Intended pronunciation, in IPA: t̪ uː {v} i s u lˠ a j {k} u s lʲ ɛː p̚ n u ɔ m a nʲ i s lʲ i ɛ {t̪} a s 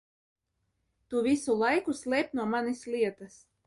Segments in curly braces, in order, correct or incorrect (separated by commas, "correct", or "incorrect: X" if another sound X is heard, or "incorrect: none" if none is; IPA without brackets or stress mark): correct, correct, correct